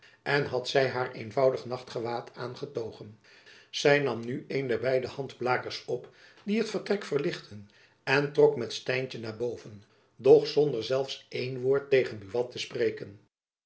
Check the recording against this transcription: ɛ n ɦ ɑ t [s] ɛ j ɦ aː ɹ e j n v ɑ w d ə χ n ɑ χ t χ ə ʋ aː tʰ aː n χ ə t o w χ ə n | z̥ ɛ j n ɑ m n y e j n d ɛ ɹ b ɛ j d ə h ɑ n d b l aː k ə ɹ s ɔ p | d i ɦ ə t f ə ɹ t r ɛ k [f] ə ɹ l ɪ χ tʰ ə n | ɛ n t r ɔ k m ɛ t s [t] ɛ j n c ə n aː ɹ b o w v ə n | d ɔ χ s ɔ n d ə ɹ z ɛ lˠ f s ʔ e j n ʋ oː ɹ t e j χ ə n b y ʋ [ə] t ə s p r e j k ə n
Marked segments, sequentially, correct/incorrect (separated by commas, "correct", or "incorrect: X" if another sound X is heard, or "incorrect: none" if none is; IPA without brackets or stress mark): correct, correct, correct, incorrect: ɑ